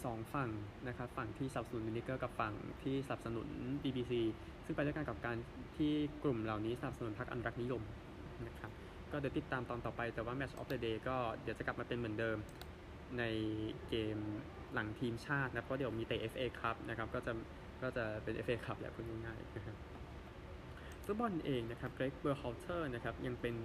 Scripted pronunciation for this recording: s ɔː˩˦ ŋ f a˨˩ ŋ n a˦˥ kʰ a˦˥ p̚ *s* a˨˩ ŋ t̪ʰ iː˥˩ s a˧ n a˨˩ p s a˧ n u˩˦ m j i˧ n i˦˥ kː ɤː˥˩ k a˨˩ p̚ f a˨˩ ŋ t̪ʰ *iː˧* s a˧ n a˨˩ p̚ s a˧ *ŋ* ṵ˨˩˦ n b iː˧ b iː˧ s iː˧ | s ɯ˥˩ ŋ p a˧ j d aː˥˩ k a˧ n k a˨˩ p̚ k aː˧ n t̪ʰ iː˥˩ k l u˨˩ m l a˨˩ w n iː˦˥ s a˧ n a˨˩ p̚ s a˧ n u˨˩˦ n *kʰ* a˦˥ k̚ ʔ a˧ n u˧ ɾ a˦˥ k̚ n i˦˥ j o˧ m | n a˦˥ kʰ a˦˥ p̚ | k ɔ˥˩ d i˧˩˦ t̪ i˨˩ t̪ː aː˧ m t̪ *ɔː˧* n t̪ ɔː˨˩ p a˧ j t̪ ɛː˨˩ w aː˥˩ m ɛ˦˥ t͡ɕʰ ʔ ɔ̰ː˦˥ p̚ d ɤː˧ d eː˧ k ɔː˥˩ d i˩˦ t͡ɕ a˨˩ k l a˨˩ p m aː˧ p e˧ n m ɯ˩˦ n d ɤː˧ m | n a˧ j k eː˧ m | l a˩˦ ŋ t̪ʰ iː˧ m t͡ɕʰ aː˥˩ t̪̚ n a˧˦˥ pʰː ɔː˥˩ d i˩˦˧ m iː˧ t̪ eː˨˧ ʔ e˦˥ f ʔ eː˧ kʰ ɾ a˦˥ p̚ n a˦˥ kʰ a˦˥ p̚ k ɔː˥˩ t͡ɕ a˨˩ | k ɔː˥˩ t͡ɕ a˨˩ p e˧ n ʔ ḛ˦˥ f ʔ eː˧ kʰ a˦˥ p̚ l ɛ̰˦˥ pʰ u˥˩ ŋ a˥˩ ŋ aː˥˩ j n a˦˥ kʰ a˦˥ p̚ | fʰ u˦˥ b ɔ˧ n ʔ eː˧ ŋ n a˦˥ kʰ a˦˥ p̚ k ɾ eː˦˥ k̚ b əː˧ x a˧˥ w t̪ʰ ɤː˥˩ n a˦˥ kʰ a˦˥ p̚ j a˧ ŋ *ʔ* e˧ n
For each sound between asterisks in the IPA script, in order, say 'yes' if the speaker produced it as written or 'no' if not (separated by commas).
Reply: no, no, no, no, yes, no